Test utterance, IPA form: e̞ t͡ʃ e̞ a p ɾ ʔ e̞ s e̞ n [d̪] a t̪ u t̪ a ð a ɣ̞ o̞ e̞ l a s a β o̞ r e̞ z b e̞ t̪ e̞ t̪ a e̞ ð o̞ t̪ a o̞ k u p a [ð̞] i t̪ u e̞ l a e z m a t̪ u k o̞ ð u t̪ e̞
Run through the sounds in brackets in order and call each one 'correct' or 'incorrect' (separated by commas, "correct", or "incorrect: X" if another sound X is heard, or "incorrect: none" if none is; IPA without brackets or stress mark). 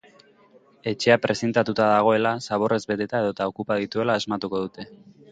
incorrect: t̪, correct